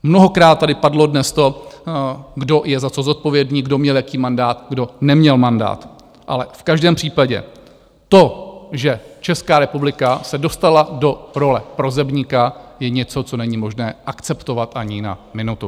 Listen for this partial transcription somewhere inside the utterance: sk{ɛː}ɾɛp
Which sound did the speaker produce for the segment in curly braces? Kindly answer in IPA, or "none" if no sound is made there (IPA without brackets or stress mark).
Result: aː